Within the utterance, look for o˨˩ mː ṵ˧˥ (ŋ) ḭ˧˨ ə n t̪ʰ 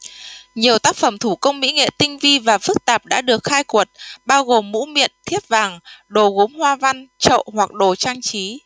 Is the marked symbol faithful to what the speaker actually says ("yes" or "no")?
no